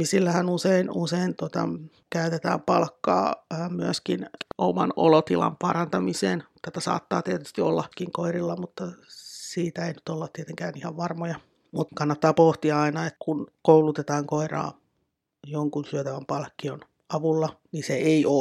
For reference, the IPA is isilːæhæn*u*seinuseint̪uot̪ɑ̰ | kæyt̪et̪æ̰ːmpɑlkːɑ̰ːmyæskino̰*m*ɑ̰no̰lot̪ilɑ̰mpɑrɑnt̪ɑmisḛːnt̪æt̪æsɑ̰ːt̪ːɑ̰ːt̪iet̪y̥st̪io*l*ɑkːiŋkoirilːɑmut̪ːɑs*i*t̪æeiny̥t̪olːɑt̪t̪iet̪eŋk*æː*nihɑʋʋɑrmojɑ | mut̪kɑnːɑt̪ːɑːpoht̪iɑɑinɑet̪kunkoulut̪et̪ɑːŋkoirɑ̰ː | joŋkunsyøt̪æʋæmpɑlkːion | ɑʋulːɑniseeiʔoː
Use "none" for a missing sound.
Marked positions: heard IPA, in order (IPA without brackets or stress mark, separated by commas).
u, m, lː, iː, æː